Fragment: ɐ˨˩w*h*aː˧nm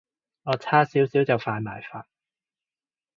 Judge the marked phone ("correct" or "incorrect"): incorrect